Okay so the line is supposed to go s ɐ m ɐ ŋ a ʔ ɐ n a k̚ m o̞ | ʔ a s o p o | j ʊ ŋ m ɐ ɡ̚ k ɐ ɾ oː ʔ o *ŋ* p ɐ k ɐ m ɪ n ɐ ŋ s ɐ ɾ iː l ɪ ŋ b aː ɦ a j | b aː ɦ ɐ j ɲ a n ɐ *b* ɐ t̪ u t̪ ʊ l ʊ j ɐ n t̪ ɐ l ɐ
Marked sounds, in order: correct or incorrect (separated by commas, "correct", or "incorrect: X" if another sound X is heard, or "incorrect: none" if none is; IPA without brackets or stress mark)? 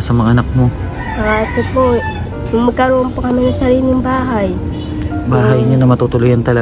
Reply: incorrect: n, incorrect: m